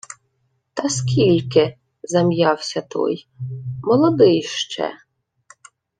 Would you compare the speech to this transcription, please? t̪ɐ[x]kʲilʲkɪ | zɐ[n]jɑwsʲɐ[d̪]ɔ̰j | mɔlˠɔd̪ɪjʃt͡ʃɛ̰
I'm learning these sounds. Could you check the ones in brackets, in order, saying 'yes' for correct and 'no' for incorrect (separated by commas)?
no, no, no